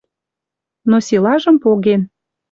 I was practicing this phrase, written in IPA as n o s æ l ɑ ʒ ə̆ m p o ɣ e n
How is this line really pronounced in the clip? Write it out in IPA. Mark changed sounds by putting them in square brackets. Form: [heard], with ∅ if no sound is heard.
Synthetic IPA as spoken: n o s [i] l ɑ ʒ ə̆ m p o ɣ e n